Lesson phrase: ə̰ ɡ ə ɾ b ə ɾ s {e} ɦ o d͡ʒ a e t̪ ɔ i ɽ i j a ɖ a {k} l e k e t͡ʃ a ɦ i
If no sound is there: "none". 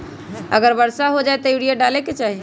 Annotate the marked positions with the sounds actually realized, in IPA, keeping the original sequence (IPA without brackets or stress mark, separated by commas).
a, none